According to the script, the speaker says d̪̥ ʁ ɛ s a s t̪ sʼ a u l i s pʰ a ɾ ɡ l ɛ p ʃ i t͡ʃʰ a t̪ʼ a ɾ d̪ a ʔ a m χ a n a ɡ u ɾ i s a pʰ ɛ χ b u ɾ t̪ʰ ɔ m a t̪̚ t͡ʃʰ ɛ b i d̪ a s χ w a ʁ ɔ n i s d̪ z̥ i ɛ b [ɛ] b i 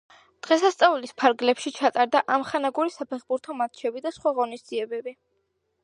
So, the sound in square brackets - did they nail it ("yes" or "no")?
yes